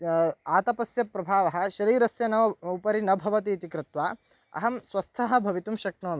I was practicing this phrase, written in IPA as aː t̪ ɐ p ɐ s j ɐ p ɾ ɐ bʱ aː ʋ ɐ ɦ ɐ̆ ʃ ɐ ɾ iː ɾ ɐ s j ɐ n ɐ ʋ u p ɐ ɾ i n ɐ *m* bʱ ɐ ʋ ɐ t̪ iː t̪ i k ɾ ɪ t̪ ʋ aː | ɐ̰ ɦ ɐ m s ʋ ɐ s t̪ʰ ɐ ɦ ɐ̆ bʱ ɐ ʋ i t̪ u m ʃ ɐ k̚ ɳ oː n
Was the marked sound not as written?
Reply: yes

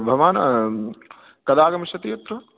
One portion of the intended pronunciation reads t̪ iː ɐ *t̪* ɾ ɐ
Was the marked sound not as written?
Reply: no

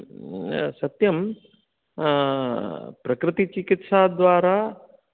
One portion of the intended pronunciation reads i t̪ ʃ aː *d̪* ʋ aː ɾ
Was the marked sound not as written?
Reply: no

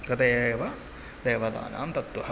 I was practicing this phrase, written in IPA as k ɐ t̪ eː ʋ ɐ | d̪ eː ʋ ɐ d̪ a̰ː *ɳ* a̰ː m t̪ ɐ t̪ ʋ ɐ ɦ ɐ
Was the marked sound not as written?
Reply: yes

